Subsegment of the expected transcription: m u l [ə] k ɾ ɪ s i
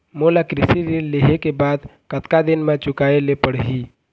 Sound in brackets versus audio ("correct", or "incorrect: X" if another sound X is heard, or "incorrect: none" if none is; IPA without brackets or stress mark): incorrect: a